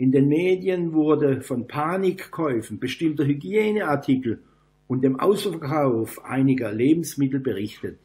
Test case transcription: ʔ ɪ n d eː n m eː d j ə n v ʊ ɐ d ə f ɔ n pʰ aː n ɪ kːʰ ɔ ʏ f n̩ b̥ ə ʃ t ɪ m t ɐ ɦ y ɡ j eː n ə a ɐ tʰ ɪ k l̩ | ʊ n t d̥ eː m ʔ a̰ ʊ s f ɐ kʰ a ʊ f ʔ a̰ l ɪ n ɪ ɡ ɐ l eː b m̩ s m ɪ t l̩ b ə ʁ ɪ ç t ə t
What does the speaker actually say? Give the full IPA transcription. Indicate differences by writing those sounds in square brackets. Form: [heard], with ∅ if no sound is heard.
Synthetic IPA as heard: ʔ ɪ n d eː n m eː d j ə n v ʊ ɐ d ə f ɔ n pʰ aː n ɪ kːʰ ɔ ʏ f n̩ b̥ ə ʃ t ɪ m t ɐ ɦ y ɡ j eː n ə a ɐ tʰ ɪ k l̩ | ʊ n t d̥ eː m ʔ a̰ ʊ s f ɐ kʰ a ʊ f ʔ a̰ [∅] ɪ n ɪ ɡ ɐ l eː b m̩ s m ɪ t l̩ b ə ʁ ɪ ç t ə t